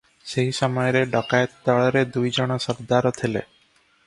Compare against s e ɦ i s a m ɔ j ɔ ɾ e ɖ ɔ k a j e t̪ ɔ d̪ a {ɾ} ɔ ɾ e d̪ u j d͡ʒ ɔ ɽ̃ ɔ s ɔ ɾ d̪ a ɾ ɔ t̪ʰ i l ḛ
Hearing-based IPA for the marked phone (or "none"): ɭ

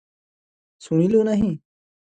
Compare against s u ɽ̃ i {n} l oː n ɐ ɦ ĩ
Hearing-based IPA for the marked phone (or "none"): none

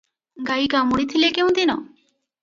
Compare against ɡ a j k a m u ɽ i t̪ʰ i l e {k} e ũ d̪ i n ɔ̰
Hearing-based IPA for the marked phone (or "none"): k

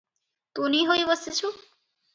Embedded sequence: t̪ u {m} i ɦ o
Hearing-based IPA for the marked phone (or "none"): n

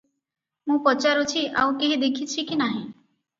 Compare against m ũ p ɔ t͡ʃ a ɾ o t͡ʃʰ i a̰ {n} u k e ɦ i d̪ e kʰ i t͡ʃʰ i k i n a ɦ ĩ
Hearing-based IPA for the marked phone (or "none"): none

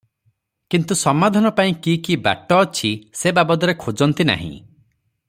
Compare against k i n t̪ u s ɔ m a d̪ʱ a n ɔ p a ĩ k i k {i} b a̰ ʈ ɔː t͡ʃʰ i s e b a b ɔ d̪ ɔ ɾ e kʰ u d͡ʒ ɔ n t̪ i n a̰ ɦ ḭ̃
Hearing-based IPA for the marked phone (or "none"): i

